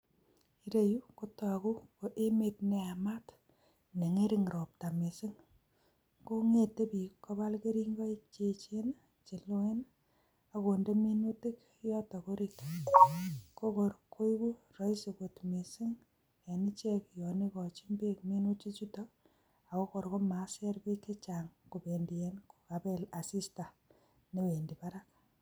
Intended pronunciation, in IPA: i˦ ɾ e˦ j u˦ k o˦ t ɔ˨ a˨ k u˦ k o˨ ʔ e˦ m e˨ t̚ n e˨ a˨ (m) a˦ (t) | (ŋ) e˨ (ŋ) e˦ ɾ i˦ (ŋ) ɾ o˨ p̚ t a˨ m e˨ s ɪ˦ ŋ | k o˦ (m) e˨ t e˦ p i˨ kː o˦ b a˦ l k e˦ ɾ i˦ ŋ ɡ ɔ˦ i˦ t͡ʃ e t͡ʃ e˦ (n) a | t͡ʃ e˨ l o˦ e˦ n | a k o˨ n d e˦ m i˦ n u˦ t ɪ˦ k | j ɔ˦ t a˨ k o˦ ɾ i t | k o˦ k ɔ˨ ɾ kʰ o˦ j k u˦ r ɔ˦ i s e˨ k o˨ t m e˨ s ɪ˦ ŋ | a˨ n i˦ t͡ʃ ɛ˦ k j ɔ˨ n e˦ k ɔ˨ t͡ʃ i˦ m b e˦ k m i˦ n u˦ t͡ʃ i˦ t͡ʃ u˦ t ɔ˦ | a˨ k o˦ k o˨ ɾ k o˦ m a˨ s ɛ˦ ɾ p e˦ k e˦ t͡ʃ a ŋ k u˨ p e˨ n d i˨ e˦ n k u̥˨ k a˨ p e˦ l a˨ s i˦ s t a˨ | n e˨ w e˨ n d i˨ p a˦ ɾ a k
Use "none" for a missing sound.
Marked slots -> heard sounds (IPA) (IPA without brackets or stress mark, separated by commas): m, t, n, ŋ, ŋ, ŋ, n